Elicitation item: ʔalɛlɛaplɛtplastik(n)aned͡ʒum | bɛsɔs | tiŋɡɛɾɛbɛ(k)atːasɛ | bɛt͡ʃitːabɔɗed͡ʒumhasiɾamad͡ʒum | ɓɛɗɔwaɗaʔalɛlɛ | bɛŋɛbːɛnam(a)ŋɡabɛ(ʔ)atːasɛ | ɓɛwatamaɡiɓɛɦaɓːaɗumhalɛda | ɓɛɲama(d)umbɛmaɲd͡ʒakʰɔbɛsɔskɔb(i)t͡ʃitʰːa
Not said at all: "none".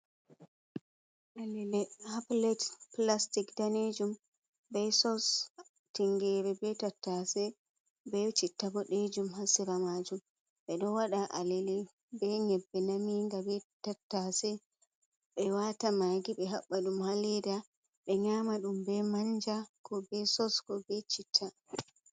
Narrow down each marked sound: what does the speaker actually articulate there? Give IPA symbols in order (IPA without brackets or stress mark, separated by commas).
d, t, i, t, ɗ, ɛ